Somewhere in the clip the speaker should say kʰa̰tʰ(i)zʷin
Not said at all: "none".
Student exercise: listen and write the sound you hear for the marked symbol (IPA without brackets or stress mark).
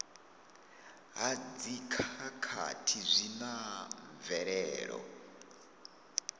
i